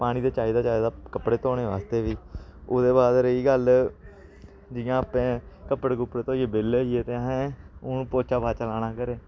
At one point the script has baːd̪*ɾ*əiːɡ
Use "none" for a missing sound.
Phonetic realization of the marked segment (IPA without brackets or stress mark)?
ɾ